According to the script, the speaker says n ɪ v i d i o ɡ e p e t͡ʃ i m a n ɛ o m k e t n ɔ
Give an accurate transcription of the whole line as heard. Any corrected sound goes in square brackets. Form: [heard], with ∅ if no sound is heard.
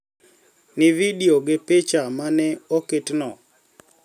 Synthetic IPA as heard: n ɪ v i d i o ɡ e p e t͡ʃ [a] m a n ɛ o [∅] k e t n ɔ